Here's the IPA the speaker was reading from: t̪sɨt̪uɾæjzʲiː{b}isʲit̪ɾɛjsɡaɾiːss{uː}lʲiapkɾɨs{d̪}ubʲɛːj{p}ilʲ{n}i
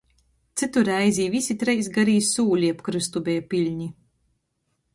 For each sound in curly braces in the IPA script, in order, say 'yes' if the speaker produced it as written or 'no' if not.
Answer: no, yes, no, yes, no

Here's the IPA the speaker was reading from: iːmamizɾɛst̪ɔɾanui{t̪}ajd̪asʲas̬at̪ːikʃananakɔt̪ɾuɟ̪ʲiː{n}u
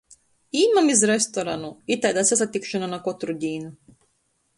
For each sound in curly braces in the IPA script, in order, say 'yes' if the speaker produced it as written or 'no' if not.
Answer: yes, yes

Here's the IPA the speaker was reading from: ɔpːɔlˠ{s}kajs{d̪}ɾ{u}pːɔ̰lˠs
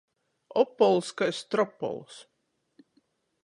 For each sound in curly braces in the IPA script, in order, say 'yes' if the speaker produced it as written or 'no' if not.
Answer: yes, no, no

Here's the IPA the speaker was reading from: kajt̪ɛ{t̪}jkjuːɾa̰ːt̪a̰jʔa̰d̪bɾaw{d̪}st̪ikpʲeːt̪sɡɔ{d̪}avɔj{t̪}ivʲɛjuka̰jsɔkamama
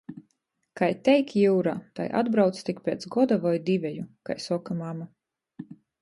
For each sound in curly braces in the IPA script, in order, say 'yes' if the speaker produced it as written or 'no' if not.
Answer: no, no, yes, no

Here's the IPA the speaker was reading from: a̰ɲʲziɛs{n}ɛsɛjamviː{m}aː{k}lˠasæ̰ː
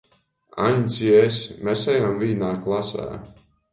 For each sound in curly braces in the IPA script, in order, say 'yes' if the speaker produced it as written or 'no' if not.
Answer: no, no, yes

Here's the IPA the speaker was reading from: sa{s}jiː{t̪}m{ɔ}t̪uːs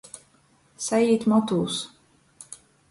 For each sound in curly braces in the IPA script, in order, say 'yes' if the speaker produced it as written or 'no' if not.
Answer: no, yes, yes

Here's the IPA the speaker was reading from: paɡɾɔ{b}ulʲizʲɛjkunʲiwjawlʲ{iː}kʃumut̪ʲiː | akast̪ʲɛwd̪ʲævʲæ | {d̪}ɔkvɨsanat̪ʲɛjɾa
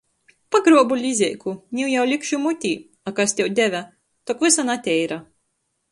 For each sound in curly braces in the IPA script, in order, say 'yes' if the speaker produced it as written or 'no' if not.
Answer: yes, no, no

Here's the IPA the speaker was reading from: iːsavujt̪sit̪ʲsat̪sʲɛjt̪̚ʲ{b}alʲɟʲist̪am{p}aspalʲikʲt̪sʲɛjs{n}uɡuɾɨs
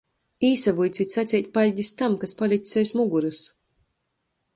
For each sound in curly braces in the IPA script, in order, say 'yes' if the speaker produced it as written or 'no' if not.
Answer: no, no, no

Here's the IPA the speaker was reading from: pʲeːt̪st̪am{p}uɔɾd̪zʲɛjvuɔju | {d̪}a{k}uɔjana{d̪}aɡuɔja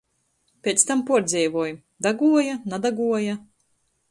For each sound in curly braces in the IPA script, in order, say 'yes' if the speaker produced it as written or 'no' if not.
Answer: yes, yes, no, yes

